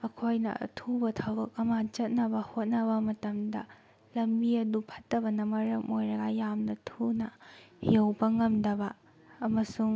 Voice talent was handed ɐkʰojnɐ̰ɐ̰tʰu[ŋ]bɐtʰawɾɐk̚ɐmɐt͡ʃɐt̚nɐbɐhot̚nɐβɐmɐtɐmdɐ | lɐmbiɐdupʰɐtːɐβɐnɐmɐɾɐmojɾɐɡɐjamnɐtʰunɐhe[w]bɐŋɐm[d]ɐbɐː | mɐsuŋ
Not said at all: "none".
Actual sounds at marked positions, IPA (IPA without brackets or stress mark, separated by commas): none, w, d